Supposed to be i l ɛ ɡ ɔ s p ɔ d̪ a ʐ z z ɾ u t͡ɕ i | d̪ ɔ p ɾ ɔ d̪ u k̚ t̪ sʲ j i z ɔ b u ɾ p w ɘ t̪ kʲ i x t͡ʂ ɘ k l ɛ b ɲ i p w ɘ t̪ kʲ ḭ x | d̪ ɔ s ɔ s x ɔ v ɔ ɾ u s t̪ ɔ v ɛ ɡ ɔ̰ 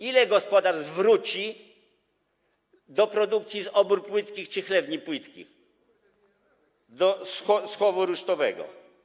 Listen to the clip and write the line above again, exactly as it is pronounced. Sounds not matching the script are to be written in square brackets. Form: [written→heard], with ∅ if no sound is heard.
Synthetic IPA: i l ɛ ɡ ɔ s p ɔ d̪ a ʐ z [z→v] ɾ u t͡ɕ i | d̪ ɔ p ɾ ɔ d̪ u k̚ t̪ sʲ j i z ɔ b u ɾ p w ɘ t̪ kʲ i x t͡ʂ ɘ [k→x] l ɛ b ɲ i p w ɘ t̪ kʲ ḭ x | d̪ ɔ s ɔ s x ɔ v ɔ ɾ u [s→ʂ] t̪ ɔ v ɛ ɡ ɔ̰